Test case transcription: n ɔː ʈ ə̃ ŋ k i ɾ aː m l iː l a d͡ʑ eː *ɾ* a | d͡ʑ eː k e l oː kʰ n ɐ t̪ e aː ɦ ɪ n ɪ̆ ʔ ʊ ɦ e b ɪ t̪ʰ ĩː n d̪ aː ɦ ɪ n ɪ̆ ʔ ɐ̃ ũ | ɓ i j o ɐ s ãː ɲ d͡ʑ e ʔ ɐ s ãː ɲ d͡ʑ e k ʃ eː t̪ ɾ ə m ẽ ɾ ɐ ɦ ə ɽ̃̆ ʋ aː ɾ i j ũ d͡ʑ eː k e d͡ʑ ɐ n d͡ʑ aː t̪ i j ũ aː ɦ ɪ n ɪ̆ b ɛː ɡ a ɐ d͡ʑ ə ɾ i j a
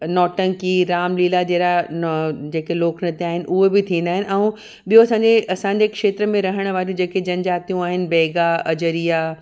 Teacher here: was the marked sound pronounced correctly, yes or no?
yes